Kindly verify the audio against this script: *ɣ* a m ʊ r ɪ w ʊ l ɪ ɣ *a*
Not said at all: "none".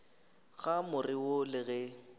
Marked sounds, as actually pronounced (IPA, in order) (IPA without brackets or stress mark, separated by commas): ɣ, ɛ